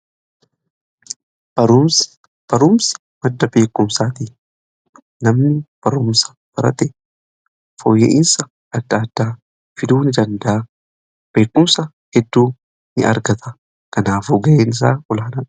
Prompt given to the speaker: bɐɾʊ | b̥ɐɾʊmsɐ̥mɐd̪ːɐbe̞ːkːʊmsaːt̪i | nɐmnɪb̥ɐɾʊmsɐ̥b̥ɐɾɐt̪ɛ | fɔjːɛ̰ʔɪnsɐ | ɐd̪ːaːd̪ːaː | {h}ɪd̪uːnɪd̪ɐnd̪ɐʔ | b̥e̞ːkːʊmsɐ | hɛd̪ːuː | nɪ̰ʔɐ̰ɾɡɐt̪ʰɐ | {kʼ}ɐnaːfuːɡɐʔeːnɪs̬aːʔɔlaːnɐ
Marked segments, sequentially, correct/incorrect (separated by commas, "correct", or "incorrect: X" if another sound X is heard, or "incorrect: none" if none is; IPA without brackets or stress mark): incorrect: f, incorrect: k